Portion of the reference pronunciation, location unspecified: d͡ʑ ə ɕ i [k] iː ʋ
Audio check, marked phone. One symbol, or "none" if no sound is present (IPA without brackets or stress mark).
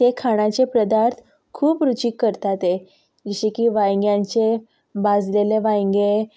k